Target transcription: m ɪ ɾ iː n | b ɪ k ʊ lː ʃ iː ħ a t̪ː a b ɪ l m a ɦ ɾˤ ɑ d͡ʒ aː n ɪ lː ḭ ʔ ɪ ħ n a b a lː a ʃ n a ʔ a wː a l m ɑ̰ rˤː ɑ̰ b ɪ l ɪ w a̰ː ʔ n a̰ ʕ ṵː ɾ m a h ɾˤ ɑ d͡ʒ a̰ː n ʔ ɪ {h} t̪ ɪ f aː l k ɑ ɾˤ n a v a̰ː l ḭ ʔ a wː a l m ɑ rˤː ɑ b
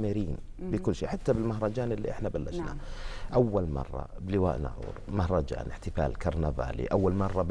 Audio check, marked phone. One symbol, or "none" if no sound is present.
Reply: ħ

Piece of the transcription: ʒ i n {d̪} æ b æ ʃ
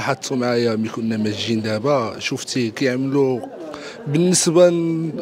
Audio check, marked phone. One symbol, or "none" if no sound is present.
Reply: d̪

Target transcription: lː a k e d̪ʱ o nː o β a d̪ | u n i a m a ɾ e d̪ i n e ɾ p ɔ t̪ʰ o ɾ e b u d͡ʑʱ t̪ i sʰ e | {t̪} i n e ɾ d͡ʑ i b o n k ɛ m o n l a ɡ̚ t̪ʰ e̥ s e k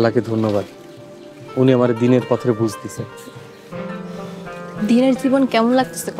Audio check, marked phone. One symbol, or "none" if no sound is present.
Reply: d̪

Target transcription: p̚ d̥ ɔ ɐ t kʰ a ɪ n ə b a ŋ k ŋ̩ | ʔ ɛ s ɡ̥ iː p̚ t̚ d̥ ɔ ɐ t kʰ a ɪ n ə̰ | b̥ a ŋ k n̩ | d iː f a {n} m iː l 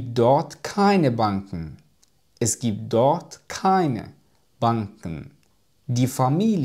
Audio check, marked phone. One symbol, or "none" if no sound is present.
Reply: none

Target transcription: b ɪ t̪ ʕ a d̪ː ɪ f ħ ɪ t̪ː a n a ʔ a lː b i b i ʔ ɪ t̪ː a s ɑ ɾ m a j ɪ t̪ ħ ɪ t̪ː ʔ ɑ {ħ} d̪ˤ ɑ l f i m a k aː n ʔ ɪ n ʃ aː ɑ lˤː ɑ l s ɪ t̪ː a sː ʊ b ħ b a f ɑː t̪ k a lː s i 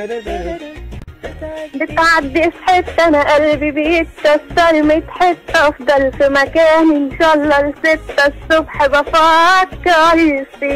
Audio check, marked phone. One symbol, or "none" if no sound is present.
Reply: f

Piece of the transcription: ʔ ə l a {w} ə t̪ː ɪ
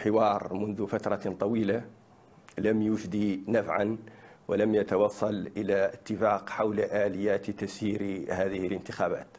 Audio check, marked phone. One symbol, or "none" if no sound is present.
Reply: none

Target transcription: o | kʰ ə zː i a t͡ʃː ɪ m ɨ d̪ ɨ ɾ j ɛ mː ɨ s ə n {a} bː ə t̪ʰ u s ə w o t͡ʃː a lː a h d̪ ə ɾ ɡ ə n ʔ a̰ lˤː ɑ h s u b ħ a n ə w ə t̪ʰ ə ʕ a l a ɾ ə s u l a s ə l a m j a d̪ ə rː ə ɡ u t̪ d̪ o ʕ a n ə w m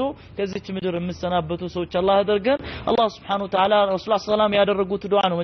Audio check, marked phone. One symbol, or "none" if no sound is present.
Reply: a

